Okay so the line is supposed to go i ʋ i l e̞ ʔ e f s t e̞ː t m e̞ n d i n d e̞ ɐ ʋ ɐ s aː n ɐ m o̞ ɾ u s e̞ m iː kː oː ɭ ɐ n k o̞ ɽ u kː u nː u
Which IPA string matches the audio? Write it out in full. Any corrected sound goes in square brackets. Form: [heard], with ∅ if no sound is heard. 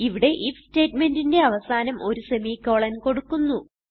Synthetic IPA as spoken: i ʋ i [ɽ] e̞ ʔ [i] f s t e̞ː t m e̞ n d i n d e̞ ɐ ʋ ɐ s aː n ɐ m o̞ ɾ u s e̞ m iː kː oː ɭ ɐ n k o̞ ɽ u kː u nː u

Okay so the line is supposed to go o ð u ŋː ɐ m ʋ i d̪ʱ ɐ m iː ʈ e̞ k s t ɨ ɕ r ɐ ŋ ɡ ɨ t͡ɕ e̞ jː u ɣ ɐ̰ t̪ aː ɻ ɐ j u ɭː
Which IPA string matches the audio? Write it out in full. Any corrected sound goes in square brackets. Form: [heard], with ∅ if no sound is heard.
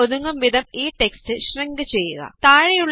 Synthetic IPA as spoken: o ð u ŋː ɐ m ʋ i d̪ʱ ɐ m iː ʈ e̞ k s t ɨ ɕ r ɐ ŋ ɡ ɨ t͡ɕ e̞ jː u ɣ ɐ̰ t̪ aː ɻ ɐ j u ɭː

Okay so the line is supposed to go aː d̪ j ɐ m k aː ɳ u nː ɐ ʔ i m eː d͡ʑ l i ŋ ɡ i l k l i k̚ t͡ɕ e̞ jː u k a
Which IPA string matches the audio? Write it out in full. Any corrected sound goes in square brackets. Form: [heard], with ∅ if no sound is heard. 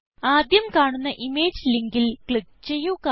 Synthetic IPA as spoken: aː d̪ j ɐ m k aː ɳ u nː ɐ ʔ i m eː d͡ʑ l i ŋ ɡ i l k [ɭ] i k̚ t͡ɕ e̞ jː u k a

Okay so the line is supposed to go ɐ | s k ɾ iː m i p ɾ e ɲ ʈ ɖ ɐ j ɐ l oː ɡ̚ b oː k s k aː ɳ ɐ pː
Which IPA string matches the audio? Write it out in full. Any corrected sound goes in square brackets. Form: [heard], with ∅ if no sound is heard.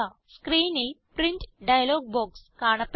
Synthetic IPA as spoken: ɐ | s k ɾ iː [n] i p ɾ [i] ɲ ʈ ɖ ɐ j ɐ l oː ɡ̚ b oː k s k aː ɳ ɐ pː

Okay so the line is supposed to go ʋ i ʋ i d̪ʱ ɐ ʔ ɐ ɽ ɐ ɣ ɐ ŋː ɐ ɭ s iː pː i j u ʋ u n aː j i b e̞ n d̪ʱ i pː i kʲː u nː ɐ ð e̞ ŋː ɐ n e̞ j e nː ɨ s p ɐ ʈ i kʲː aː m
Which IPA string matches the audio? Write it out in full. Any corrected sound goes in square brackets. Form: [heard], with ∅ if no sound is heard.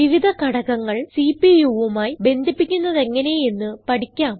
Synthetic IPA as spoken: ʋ i ʋ i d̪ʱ ɐ [k] ɐ ɽ ɐ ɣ ɐ ŋː ɐ ɭ s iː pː i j u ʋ u [m] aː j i b e̞ n d̪ʱ i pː i kʲː u nː ɐ ð e̞ ŋː ɐ n e̞ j e nː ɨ [∅] p ɐ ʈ i kʲː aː m

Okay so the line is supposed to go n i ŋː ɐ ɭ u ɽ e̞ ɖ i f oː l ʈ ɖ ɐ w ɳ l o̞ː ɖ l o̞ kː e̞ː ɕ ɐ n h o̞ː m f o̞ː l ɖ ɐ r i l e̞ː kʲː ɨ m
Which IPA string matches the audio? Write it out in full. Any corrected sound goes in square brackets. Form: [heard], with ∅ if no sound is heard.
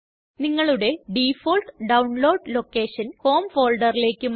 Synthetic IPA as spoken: n i ŋː ɐ ɭ u ɽ e̞ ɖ i f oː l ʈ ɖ ɐ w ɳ l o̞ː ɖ l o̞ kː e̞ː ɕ ɐ n h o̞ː m f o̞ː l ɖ ɐ r i l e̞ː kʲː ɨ m

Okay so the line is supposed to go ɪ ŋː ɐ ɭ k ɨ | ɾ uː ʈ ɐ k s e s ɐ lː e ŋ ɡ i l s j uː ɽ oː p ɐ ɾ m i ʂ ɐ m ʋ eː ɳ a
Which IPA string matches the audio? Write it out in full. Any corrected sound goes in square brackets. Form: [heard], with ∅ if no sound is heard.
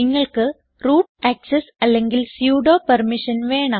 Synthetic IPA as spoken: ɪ ŋː ɐ ɭ k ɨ | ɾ uː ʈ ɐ k s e s ɐ lː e ŋ ɡ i l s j uː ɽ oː p ɐ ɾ m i ʂ ɐ [n] ʋ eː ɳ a

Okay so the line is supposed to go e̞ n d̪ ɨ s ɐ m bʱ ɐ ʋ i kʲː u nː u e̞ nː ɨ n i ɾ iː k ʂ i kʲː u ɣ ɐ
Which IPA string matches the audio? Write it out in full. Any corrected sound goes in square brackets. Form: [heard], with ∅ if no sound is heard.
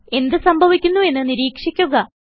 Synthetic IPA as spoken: e̞ n d̪ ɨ s ɐ m bʱ ɐ ʋ i kʲː u nː u e̞ nː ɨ n i ɾ iː k ʂ i kʲː u ɣ ɐ

